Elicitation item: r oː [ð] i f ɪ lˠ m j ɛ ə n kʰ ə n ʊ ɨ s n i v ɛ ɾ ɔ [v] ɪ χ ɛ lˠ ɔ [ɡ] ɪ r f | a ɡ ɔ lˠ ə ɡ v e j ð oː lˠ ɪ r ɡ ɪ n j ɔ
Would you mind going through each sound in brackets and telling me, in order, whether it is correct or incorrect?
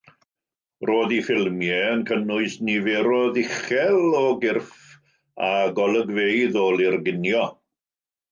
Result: correct, incorrect, correct

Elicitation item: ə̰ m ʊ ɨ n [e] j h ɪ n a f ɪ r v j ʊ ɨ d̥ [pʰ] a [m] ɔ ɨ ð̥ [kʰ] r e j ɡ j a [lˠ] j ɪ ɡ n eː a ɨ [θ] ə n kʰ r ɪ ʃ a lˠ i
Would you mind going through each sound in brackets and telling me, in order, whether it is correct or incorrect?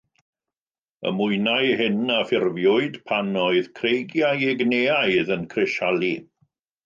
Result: incorrect, correct, incorrect, correct, incorrect, incorrect

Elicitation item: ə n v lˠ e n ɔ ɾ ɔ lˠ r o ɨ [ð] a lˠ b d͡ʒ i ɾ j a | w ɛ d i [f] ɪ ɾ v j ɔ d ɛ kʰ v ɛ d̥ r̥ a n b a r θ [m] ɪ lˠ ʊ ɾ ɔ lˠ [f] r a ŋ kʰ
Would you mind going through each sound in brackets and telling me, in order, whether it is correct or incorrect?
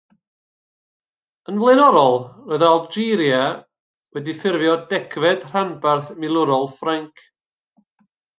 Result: correct, correct, correct, correct

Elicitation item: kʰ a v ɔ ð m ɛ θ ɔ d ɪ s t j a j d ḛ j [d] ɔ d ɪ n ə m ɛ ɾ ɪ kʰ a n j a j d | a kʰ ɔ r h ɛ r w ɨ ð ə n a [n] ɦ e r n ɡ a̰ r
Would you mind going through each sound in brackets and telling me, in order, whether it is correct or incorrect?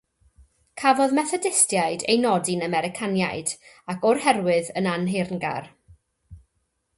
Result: incorrect, correct

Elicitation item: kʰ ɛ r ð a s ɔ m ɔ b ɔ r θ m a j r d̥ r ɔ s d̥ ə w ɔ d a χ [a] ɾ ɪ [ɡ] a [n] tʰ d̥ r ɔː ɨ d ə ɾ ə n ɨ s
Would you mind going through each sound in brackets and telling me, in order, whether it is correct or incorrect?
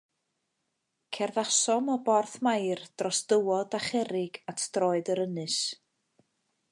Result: incorrect, correct, incorrect

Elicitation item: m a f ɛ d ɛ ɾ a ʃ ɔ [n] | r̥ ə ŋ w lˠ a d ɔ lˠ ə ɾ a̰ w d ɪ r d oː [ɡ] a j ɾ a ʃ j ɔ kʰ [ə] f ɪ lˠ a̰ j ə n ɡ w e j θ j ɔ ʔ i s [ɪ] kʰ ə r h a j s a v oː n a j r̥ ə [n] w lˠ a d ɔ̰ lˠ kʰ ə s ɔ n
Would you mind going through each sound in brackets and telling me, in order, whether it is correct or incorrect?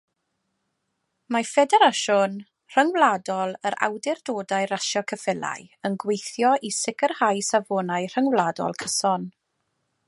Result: correct, incorrect, correct, correct, incorrect

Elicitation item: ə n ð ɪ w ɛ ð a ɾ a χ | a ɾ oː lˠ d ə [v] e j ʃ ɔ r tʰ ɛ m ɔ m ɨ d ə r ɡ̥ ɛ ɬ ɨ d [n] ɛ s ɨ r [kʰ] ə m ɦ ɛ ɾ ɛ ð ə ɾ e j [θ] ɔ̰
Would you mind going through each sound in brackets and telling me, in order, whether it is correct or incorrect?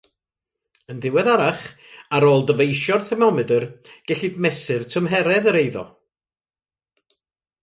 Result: correct, incorrect, incorrect, incorrect

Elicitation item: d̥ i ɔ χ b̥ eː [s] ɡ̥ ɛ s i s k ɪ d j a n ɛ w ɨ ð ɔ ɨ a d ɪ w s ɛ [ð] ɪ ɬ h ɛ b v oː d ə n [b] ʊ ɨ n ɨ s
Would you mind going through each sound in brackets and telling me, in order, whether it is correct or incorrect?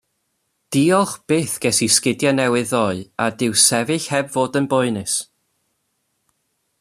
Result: incorrect, incorrect, correct

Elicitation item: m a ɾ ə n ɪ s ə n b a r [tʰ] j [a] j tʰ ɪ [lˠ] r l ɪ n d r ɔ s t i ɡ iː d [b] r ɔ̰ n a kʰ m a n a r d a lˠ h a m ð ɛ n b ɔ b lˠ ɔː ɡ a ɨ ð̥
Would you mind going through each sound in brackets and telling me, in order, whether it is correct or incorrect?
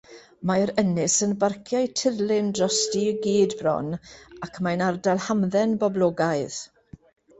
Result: incorrect, correct, incorrect, correct

